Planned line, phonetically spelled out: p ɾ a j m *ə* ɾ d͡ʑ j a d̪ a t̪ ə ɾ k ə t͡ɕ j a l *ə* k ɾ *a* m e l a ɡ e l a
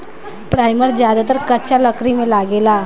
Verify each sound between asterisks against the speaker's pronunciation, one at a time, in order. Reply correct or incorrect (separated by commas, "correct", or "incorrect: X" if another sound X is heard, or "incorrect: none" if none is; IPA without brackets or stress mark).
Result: correct, correct, incorrect: i